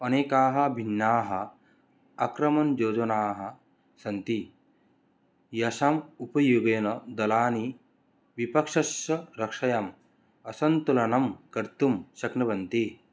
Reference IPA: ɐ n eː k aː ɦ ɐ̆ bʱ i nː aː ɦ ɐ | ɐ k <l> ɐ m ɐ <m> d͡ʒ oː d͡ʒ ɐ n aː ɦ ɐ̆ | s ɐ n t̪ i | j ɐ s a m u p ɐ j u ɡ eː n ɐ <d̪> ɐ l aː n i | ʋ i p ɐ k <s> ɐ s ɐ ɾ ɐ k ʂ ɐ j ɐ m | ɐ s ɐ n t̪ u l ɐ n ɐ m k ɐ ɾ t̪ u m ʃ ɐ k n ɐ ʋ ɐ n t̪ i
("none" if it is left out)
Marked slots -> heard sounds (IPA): ɾ, n, d̪, ʂ

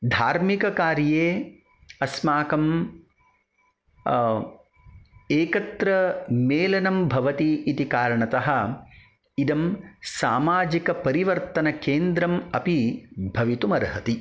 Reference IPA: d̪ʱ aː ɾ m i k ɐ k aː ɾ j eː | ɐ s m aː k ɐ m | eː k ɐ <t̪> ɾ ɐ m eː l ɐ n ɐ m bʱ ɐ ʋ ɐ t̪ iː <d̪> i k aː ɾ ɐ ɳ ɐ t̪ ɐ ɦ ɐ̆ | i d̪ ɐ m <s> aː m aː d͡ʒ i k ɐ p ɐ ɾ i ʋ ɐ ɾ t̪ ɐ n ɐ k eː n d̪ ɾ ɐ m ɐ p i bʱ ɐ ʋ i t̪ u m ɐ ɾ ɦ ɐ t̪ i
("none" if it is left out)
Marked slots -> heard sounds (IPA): t̪, t̪, s

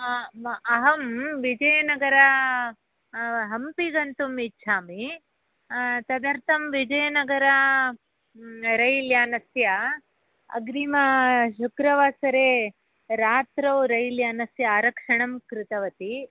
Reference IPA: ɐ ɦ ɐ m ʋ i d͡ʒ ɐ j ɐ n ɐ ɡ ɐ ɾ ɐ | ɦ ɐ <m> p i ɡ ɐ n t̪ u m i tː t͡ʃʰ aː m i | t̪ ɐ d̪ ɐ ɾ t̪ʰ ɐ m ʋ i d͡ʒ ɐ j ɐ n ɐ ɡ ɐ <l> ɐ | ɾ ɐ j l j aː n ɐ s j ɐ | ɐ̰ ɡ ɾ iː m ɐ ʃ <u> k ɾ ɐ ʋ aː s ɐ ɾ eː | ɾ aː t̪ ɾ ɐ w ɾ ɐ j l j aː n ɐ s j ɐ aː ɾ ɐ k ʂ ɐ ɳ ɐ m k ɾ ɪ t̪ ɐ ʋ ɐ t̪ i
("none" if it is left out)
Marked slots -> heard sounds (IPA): m, ɾ, u

